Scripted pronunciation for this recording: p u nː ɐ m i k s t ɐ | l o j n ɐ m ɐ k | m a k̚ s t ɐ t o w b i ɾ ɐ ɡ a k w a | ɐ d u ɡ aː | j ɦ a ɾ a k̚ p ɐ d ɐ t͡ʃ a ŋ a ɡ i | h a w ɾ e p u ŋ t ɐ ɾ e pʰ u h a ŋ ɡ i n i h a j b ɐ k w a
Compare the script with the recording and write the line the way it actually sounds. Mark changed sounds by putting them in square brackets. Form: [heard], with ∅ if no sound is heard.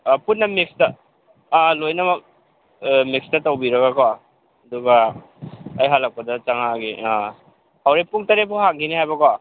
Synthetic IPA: p u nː ɐ m i k s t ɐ | l o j n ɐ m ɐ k | m [i] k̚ s t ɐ t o w b i ɾ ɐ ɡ a k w a | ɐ d u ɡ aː | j ɦ a [l] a k̚ p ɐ d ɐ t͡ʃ a ŋ a ɡ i | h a w ɾ e p u ŋ t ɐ ɾ e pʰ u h a ŋ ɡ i n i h a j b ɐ k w a

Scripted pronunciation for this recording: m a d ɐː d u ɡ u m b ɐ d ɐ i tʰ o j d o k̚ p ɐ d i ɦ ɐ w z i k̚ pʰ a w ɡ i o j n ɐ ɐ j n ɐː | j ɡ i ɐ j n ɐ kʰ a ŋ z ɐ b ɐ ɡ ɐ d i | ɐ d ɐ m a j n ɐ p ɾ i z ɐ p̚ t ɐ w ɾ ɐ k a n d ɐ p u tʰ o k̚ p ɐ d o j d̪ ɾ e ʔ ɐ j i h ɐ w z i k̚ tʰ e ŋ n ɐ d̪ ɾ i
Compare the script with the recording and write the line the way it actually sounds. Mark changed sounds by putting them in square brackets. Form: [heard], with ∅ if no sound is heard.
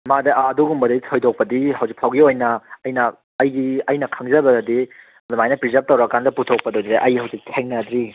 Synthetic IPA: m a d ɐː d u ɡ u m b ɐ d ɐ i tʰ o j d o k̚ p ɐ d i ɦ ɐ w z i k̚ pʰ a w ɡ i o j n ɐ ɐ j n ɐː | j ɡ i ɐ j n ɐ kʰ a ŋ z ɐ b ɐ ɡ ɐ d i | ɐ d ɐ m a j n ɐ p ɾ i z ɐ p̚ t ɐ w ɾ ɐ k a n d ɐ p u tʰ o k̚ p ɐ d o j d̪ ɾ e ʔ ɐ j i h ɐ w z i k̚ tʰ e ŋ n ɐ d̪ ɾ i

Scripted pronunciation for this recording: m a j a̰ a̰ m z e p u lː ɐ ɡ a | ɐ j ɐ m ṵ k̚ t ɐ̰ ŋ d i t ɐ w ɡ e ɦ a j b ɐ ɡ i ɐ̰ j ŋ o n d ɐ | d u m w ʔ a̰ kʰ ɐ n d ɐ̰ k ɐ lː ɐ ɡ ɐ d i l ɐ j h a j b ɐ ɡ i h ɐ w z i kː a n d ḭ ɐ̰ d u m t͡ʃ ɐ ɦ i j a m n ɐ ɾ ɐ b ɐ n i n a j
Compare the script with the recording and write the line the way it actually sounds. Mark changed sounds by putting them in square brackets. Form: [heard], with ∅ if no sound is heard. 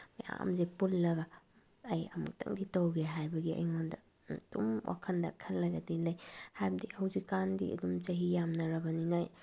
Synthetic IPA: m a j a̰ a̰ m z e p u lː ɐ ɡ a | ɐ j ɐ m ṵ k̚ t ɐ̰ ŋ d i t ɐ w ɡ e ɦ a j b ɐ ɡ i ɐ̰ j ŋ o n d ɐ | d u m w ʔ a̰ kʰ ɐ n d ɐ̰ [kʰ] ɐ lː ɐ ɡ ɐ d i l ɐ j h a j b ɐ [d] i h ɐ w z i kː a n d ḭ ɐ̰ d u m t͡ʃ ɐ ɦ i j a m n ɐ ɾ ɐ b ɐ n i n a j

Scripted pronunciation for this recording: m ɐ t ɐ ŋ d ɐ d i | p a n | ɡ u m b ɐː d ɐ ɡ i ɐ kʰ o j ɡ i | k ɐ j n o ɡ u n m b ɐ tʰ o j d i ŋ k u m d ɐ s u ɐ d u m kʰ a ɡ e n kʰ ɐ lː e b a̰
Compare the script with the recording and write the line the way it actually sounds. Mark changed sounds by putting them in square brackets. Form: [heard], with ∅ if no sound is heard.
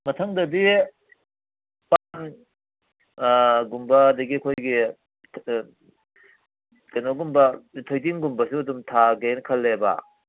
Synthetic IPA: m ɐ [tʰ] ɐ ŋ d ɐ d i | p a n | ɡ u m b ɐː d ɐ ɡ i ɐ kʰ o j ɡ i | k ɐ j n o ɡ u [∅] m b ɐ tʰ o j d i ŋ [ɡ] u m [b] ɐ s u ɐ d u m [tʰ] a ɡ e n kʰ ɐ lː e b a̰

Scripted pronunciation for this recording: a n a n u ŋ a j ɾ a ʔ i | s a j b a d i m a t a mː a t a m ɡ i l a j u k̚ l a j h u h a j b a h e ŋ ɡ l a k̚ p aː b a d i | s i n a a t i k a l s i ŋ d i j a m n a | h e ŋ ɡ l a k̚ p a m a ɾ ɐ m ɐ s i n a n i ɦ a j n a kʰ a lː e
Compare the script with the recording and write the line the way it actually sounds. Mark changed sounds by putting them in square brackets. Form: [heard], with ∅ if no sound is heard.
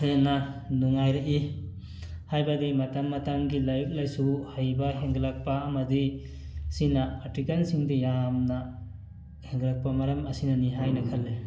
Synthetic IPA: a n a n u ŋ a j ɾ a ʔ i | [h] a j b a d i m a t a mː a t a m ɡ i l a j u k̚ l a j [s] u h a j b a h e ŋ ɡ l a k̚ p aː [m] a d i | s i n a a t i k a l s i ŋ d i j a m n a | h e ŋ ɡ l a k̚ p a m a ɾ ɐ m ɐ s i n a n i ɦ a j n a kʰ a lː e

